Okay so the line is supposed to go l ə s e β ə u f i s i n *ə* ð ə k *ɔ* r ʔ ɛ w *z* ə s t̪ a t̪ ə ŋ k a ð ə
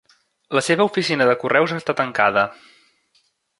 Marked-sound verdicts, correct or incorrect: correct, incorrect: u, correct

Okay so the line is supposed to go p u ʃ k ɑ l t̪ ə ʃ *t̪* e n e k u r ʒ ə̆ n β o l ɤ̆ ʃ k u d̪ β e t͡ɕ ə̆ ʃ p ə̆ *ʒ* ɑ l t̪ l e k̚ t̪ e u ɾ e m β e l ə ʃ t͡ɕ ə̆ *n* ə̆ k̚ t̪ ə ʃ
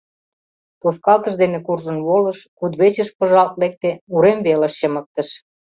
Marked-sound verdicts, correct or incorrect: incorrect: d̪, correct, incorrect: m

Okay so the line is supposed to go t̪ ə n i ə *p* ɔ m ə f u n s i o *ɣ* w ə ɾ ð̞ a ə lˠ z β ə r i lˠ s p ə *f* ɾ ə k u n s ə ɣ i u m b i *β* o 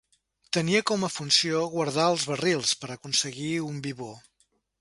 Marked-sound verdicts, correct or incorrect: incorrect: k, correct, incorrect: none, correct

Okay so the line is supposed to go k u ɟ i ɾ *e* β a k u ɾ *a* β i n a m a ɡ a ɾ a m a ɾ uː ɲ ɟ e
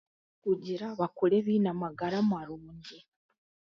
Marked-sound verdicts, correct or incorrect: incorrect: a, incorrect: e

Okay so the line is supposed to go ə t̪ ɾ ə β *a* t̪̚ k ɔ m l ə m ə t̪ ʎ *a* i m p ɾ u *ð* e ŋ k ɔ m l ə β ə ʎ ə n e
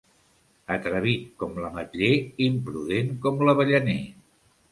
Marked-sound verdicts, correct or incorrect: incorrect: i, incorrect: e, correct

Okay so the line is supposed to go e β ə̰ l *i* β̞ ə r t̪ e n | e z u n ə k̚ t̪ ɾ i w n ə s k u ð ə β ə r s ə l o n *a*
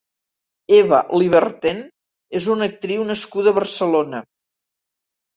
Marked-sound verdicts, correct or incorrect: correct, incorrect: ə

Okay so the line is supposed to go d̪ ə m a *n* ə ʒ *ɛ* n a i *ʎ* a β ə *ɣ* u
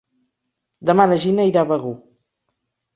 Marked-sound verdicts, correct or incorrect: correct, incorrect: i, incorrect: ɾ, correct

